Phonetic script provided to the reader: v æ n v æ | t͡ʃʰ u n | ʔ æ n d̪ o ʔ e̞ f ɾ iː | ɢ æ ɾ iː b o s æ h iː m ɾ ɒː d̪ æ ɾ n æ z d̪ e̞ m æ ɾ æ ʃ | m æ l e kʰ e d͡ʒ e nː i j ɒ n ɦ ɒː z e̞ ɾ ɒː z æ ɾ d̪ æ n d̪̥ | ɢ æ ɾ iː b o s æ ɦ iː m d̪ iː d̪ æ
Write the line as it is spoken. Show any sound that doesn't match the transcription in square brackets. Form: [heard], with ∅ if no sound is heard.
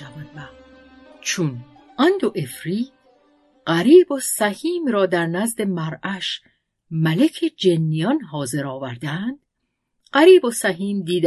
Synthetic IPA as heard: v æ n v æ | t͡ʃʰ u n | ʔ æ n d̪ o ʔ e̞ f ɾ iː | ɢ æ ɾ iː b o s æ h iː m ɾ ɒː d̪ æ ɾ n æ z d̪ e̞ m æ ɾ æ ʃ | m æ l e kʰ e d͡ʒ e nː i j ɒ n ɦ ɒː z e̞ ɾ ɒː [v] æ ɾ d̪ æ n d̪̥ | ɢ æ ɾ iː b o s æ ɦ iː m d̪ iː d̪ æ